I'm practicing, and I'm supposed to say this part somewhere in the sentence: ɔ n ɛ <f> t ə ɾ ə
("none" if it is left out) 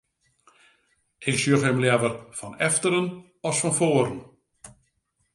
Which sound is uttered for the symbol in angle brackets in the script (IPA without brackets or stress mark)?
f